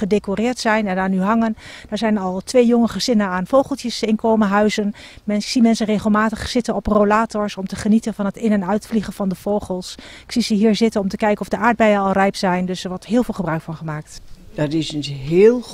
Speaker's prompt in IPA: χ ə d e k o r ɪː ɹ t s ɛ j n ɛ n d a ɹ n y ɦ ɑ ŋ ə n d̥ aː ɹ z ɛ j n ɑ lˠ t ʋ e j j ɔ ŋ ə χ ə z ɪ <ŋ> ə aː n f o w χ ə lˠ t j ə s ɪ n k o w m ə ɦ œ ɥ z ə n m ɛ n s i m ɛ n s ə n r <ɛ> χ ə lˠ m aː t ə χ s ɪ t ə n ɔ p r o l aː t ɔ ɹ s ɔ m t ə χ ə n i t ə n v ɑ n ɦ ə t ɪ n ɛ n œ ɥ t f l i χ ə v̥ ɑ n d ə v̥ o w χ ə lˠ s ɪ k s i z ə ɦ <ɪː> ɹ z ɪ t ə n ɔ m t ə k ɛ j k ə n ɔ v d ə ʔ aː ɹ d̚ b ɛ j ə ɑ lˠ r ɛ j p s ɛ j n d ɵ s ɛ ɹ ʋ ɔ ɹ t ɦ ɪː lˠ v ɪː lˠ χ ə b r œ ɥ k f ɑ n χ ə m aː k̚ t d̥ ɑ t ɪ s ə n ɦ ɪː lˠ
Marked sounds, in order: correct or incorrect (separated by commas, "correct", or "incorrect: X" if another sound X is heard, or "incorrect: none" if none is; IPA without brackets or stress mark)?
incorrect: n, incorrect: e, incorrect: iː